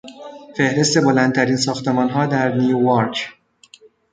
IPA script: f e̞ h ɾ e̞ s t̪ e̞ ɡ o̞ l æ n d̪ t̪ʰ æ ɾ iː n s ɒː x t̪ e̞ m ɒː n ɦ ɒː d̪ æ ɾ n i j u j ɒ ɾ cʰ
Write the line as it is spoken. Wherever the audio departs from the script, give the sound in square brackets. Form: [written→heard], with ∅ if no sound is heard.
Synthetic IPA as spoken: f e̞ h ɾ e̞ s t̪ e̞ [ɡ→b] o̞ l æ n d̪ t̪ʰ æ ɾ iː n s ɒː x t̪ e̞ m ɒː n ɦ ɒː d̪ æ ɾ n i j u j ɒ ɾ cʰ